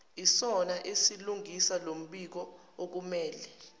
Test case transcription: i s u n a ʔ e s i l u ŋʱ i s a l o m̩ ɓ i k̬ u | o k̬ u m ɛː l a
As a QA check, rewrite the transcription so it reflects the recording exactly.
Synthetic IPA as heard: i s ɔ n a ʔ e s i l u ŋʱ i s a l o m̩ ɓ i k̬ ɔ | o k̬ u m ɛː l ɛ